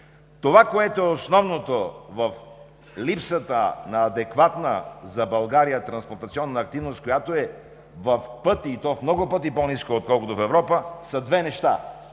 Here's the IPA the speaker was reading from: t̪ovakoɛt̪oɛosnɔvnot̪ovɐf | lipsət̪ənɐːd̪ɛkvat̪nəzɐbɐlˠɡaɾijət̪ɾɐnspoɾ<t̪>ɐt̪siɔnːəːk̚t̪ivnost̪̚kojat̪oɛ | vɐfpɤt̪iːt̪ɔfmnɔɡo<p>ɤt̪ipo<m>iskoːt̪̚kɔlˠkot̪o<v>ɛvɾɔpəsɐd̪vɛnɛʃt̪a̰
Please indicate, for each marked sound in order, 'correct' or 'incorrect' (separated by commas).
correct, correct, incorrect, incorrect